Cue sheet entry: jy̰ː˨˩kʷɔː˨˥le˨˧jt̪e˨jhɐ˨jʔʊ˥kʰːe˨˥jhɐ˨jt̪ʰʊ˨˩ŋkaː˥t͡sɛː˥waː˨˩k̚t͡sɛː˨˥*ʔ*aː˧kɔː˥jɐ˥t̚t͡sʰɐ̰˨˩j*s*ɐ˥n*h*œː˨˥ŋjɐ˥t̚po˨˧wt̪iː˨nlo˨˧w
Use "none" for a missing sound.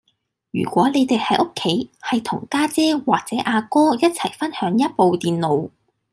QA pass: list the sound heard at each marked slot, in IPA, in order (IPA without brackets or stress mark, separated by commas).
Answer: ʔ, f, h